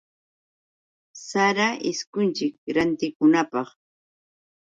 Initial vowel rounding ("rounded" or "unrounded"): unrounded